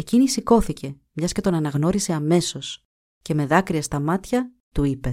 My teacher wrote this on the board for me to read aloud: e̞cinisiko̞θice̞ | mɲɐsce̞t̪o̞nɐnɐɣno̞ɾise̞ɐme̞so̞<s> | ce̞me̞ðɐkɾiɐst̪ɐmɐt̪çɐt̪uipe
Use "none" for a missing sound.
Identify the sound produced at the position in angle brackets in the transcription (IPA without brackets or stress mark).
s